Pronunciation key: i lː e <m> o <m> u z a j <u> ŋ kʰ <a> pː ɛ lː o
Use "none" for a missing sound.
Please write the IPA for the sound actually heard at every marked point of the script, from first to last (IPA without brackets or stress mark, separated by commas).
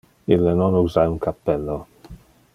n, n, u, a